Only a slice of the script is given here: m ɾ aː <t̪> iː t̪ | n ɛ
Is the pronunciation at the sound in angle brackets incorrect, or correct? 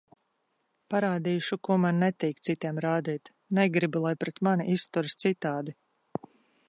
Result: incorrect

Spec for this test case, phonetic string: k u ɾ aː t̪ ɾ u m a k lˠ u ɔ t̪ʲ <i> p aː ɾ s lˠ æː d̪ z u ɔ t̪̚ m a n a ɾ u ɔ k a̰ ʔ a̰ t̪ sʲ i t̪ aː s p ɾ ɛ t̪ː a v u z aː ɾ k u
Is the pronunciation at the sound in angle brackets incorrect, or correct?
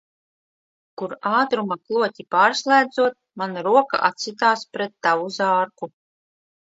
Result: correct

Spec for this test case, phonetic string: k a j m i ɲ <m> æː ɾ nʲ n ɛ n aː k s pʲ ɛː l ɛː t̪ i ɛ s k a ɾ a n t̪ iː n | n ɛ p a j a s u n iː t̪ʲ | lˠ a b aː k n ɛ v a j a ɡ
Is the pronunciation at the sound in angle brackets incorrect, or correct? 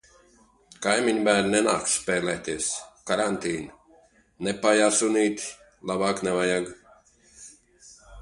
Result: incorrect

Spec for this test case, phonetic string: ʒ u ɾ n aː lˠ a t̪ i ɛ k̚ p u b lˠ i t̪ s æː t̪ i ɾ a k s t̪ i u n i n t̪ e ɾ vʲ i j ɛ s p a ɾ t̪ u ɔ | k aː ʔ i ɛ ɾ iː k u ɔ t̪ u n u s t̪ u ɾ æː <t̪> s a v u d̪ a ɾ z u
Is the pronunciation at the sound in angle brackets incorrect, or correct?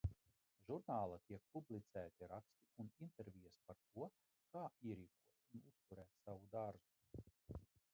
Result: correct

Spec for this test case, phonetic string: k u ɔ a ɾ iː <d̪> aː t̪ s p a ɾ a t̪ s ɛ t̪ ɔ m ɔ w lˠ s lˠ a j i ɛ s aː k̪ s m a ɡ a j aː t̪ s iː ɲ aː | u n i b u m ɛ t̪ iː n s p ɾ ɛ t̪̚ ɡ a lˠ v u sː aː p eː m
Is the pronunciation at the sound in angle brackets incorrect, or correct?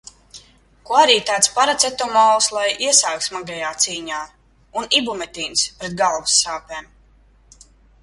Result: incorrect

